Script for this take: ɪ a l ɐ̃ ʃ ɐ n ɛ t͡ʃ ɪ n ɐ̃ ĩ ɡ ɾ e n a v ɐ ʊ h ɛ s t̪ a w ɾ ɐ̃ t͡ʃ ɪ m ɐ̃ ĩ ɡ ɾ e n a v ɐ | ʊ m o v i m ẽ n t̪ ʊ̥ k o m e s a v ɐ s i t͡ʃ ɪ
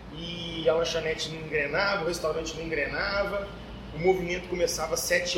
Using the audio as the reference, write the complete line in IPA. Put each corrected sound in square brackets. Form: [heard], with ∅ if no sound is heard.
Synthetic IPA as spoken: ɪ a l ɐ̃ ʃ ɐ n ɛ t͡ʃ ɪ n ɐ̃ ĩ ɡ ɾ e n a v ɐ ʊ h [e] s t̪ a w ɾ ɐ̃ t͡ʃ ɪ [n] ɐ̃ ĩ ɡ ɾ e n a v ɐ | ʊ m o v i m ẽ n t̪ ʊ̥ k o m e s a v ɐ s [ɛ] t͡ʃ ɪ